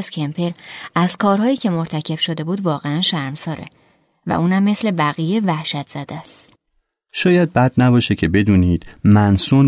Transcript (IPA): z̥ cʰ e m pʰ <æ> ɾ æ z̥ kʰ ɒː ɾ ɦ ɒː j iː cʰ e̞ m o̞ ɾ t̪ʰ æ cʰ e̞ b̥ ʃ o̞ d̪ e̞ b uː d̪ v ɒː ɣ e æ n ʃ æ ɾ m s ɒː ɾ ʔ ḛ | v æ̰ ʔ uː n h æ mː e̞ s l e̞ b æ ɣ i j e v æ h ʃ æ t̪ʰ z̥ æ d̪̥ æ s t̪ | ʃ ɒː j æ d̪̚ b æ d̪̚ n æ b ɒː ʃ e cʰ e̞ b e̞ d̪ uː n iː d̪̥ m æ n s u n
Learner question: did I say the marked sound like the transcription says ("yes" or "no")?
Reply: no